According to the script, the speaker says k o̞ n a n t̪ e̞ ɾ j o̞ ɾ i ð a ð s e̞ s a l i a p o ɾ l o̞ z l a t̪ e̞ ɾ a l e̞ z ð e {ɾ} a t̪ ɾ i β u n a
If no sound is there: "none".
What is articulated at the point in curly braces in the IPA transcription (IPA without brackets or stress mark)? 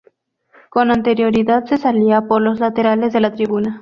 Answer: l